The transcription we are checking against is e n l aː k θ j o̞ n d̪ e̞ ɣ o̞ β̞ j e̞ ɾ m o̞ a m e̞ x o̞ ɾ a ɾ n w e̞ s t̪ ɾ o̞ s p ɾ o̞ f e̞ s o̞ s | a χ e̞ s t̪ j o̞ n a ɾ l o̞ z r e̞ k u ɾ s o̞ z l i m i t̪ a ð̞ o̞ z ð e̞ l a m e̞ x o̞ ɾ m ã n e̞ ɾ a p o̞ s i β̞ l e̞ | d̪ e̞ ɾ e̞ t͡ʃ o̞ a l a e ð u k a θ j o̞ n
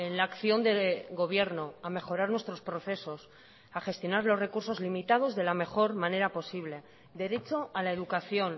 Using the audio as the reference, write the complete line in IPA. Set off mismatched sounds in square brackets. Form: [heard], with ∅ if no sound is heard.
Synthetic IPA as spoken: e n l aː k θ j o̞ n d̪ e̞ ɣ o̞ β̞ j e̞ ɾ [n] o̞ a m e̞ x o̞ ɾ a ɾ n w e̞ s t̪ ɾ o̞ s p ɾ o̞ [θ] e̞ s o̞ s | a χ e̞ s t̪ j o̞ n a ɾ l o̞ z r e̞ k u ɾ s o̞ z l i m i t̪ a ð̞ o̞ z ð e̞ l a m e̞ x o̞ ɾ m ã n e̞ ɾ a p o̞ s i β̞ l e̞ | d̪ e̞ ɾ e̞ t͡ʃ o̞ a l a e ð u k a θ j o̞ n